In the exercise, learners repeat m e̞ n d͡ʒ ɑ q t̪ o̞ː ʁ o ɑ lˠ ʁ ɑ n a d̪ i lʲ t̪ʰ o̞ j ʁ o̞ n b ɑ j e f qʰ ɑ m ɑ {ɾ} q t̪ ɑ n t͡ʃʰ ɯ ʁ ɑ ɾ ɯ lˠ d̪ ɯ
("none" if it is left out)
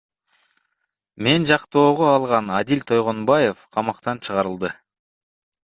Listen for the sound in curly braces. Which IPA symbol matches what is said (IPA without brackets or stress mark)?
none